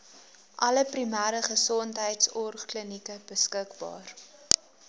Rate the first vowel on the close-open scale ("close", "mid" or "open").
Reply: open